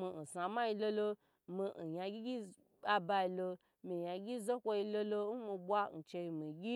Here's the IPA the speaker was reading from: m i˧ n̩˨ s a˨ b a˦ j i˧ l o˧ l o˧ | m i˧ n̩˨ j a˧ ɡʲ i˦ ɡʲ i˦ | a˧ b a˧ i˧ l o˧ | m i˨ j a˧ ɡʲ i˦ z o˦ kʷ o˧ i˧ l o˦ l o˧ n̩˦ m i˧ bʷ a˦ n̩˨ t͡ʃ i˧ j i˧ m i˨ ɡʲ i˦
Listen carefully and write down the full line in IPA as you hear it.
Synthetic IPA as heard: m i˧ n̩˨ s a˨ m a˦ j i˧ l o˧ l o˧ | m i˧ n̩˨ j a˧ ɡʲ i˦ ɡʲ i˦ | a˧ b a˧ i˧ l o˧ | m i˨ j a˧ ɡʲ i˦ z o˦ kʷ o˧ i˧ l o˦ l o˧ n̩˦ m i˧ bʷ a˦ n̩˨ t͡ʃ e˧ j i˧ m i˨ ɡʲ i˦